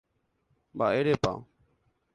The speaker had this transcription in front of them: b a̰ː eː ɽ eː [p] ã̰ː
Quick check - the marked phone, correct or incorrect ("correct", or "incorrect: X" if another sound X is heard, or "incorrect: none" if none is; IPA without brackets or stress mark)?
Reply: correct